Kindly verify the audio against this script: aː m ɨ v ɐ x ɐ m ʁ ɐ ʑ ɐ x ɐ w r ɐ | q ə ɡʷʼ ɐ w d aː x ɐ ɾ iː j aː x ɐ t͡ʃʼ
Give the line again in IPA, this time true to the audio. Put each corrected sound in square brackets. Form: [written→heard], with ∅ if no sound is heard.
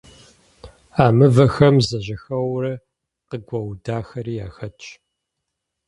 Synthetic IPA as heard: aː m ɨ v ɐ x ɐ m [ʁ→z] ɐ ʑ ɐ x ɐ w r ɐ | q ə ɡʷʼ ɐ w d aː x ɐ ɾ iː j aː x ɐ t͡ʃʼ